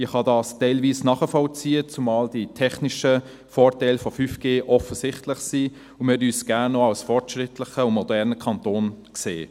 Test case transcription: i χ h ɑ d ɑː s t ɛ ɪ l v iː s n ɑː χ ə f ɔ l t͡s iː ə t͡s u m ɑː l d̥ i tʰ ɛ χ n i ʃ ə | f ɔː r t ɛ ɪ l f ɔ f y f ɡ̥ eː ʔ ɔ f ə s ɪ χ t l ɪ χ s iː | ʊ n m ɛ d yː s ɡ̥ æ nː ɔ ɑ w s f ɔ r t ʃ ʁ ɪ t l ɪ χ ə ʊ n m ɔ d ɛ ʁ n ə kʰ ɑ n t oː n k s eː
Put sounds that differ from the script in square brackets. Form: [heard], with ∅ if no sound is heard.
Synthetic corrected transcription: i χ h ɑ d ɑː s t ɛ ɪ l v iː s n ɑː χ ə f ɔ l t͡s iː ə t͡s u m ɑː l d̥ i tʰ ɛ χ n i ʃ ə | f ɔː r t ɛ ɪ l f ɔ f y f ɡ̥ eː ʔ ɔ f ə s ɪ χ t l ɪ χ s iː | ʊ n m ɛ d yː s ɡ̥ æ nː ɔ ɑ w s f ɔ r t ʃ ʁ ɪ t l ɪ χ ə ʊ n m ɔ d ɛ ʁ n ə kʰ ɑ n t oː n k s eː

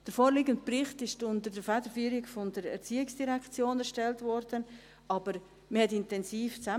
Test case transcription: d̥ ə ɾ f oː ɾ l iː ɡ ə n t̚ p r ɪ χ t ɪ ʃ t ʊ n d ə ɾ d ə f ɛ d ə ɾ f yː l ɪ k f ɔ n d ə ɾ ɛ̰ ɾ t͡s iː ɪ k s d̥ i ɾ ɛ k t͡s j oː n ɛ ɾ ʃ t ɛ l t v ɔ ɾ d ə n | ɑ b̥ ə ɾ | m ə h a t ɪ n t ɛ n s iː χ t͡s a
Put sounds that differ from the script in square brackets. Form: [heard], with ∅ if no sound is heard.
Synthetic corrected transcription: d̥ ə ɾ f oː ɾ l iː ɡ ə n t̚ p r ɪ χ t ɪ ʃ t ʊ n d ə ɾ d ə f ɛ d ə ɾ f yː [ɾ] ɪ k f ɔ n d ə ɾ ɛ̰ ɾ t͡s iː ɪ k s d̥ i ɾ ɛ k t͡s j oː n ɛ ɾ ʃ t ɛ l t v ɔ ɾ d ə n | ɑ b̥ ə ɾ | m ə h [ɛ] t ɪ n t ɛ n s iː [f] t͡s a

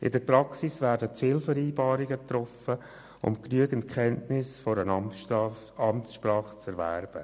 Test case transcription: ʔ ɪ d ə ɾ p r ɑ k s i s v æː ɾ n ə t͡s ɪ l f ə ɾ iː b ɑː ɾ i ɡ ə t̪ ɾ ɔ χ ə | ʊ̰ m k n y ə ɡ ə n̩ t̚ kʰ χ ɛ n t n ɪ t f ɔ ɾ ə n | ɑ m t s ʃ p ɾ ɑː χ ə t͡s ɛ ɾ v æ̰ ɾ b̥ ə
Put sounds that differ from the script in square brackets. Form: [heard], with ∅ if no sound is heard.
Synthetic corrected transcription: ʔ ɪ d ə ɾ p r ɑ k s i s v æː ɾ [d] ə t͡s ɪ l f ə ɾ iː b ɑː ɾ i ɡ ə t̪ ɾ ɔ [f] ə | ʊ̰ m k n y ə ɡ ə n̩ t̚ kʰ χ ɛ n t n ɪ [s] f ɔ ɾ ə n | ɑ m t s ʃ p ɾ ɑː χ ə t͡s ɛ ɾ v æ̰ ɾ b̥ ə

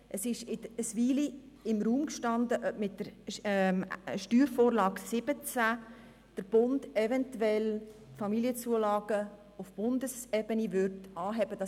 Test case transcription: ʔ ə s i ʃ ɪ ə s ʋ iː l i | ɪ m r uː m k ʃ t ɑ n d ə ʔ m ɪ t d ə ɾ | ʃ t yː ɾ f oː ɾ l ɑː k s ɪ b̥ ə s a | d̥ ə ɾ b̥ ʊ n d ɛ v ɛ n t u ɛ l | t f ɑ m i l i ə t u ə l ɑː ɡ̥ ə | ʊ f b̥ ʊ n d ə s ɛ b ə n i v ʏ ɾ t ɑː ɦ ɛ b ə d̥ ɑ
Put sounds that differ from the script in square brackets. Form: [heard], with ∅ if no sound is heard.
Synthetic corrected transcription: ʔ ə s [ɪ] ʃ ɪ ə s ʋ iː l i | ɪ m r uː m k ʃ t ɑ n d ə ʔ m ɪ t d ə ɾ | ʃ t yː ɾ f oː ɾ l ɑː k s ɪ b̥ ə [t͡s] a | d̥ ə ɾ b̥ ʊ n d ɛ v ɛ n t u ɛ l | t f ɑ m i l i ə [t͡s] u ə l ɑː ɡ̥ ə | ʊ f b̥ ʊ n d ə s ɛ b ə n i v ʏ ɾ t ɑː ɦ ɛ b ə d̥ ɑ

